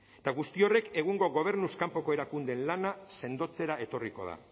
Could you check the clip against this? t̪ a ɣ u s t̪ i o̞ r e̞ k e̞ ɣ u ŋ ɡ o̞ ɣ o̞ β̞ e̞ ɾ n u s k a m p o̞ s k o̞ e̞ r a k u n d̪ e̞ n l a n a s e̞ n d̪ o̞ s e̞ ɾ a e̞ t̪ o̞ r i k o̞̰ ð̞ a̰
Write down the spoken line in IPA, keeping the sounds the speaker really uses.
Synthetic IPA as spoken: t̪ a ɣ u s t̪ i o̞ r e̞ k e̞ ɣ u ŋ ɡ o̞ ɣ o̞ β̞ e̞ ɾ n u s k a m p o̞ k o̞ e̞ ɾ a k u n d̪ e̞ n l a n a s e̞ n d̪ o̞ t͡s e̞ ɾ a e̞ t̪ o̞ r i k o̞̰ ð̞ a̰